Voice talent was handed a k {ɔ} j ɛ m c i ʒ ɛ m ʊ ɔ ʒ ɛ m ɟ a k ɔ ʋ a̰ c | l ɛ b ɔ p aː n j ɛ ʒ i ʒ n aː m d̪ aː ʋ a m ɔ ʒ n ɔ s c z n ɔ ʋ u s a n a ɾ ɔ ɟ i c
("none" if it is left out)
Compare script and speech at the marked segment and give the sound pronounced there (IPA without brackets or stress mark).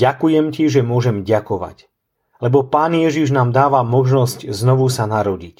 u